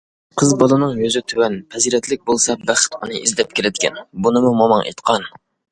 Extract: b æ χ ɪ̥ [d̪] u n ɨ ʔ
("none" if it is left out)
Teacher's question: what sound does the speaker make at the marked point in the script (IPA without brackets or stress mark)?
t̪